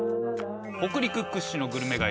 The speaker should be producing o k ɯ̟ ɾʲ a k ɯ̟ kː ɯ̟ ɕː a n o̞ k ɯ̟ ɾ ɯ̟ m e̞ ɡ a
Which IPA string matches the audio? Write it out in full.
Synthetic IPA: o k ɯ̟ ɾʲ i k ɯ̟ kː ɯ̟ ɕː i n o̞ ɡ ɯ̟ ɾ ɯ̟ m e̞ ɡ a